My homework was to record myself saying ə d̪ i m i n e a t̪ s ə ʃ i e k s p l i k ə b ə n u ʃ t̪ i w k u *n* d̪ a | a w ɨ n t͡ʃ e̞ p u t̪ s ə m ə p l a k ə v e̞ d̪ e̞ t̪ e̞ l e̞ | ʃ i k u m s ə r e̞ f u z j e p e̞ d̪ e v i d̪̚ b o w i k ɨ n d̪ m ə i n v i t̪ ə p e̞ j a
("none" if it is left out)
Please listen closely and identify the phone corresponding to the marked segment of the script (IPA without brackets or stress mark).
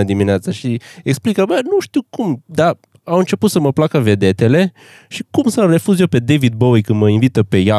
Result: m